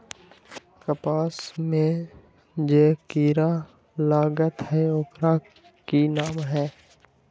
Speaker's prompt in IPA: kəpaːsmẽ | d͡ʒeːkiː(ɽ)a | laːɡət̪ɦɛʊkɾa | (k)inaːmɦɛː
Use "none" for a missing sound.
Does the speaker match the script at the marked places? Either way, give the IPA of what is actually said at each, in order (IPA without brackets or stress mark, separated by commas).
ɾ, k